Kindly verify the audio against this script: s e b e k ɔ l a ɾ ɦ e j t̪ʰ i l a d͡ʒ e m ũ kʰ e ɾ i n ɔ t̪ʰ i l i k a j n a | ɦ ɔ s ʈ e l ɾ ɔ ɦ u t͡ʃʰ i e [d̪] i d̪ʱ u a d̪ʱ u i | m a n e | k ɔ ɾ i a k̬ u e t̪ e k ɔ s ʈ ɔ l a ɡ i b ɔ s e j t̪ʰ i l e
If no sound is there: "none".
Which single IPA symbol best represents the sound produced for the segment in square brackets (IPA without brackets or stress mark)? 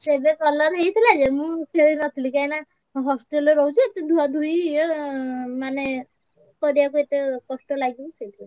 t̪